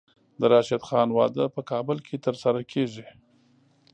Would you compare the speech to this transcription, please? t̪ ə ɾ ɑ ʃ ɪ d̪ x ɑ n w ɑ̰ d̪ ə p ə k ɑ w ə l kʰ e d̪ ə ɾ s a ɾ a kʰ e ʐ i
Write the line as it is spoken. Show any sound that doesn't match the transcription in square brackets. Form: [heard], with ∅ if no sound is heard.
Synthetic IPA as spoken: [d̪] ə ɾ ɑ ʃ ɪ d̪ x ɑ n w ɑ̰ d̪ ə p ə k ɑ [b] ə l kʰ e [t̪] ə ɾ s a ɾ a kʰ e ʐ i